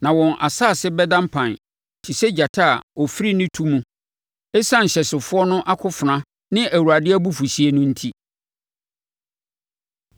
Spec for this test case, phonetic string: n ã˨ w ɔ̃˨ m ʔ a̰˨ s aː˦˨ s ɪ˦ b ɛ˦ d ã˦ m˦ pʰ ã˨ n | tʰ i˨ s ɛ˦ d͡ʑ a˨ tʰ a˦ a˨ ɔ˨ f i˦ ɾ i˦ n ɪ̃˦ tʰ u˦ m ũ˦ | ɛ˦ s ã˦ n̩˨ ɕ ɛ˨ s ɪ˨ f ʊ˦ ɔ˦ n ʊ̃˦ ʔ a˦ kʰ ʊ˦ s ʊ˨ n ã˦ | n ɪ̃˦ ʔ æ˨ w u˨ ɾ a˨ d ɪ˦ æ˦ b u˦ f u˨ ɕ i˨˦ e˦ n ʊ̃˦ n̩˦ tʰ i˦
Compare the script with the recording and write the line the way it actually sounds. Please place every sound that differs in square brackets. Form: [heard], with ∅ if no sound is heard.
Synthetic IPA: n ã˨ w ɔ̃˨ [n] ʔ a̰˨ s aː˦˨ s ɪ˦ b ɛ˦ d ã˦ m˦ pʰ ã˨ n | tʰ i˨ s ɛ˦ d͡ʑ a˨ tʰ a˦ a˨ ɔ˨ f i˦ ɾ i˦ n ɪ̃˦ tʰ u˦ m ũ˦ | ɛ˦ s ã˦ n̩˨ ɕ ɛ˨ s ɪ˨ f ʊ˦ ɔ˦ n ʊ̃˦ ʔ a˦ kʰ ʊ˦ [f] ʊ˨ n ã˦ | n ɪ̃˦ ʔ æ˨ w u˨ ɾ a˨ d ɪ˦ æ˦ b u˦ f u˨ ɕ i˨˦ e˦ n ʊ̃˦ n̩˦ tʰ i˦